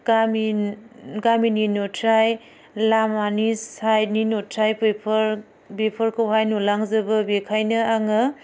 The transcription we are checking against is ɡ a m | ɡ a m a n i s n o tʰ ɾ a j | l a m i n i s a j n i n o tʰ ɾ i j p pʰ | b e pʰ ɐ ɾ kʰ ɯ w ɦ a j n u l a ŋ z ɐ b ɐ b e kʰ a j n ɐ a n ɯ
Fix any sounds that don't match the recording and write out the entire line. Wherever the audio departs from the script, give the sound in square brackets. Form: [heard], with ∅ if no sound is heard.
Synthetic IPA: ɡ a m | ɡ a m [i] n i [∅] n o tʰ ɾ a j | l a m [a] n i s a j n i n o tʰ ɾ [a] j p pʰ | b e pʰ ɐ ɾ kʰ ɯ w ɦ a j n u l a ŋ z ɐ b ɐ b e kʰ a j n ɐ a [ŋ] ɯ

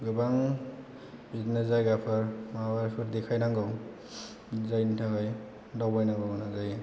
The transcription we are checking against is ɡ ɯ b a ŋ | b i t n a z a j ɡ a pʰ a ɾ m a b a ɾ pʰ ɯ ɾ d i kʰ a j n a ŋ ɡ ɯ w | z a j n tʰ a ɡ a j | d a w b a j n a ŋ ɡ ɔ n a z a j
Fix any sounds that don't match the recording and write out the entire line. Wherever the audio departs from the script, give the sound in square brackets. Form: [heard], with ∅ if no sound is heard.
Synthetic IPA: ɡ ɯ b a ŋ | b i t n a z a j ɡ a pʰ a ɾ m a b a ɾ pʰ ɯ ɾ d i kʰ a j n a ŋ ɡ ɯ w | z a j n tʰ a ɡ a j | d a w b a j n a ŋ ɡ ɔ n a z a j

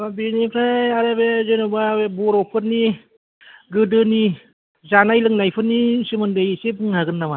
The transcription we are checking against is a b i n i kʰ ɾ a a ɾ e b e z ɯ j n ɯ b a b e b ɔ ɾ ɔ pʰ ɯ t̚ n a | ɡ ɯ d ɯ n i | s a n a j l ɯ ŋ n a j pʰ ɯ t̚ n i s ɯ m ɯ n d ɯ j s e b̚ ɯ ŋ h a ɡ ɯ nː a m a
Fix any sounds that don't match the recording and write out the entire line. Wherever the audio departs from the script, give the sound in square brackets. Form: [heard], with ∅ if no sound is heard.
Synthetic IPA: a b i n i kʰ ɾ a a ɾ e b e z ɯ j n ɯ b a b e b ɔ ɾ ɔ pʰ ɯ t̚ n [i] | ɡ ɯ d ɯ n i | [z] a n a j l ɯ ŋ n a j pʰ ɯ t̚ n i s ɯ m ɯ n d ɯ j s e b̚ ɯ ŋ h a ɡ ɯ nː a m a

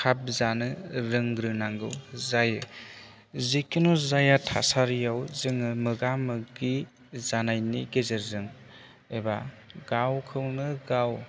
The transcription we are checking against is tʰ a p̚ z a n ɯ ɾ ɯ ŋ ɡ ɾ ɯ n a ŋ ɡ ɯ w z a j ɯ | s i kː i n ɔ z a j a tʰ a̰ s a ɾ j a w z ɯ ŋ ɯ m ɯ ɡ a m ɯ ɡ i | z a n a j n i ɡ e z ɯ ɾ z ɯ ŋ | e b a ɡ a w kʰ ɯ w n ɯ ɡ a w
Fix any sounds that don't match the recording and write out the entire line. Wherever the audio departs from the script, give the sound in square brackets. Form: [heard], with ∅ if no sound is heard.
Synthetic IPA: [kʰ] a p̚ z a n ɯ ɾ ɯ ŋ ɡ ɾ ɯ n a ŋ ɡ ɯ w z a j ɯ | [z] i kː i n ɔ z a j a tʰ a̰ s a ɾ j a w z ɯ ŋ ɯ m ɯ ɡ a m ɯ ɡ i | z a n a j n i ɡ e z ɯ ɾ z ɯ ŋ | e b a ɡ a w kʰ ɯ w n ɯ ɡ a w

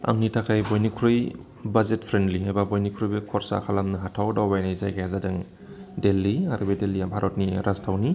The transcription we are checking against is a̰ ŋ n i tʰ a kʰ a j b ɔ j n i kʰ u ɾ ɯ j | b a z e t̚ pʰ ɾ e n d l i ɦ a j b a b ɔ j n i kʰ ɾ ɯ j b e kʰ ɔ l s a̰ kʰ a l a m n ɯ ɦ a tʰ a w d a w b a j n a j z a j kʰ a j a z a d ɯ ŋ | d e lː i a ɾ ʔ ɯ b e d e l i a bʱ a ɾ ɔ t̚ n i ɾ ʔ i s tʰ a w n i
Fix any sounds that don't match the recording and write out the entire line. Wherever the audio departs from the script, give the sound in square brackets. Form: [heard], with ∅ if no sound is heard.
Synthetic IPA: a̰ ŋ n i tʰ a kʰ a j b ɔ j n i kʰ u ɾ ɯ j | b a z e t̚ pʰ ɾ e n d l i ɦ a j b a b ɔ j n i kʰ ɾ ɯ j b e kʰ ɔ [ɾ] s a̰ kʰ a l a m n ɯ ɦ a tʰ a w d a w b a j n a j z a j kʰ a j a z a d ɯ ŋ | d e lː i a ɾ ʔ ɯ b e d e l i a bʱ a ɾ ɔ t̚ n i ɾ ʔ [a] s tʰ a w n i

